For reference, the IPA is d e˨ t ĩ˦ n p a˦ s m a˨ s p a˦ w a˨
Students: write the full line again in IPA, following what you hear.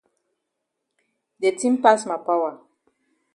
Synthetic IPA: d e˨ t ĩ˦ m p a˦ s m a˨ p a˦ w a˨